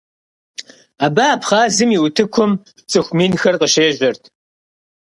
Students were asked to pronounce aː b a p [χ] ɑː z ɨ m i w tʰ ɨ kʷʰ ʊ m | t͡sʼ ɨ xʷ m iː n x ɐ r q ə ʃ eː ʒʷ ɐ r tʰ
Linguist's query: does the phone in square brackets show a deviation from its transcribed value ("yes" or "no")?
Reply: no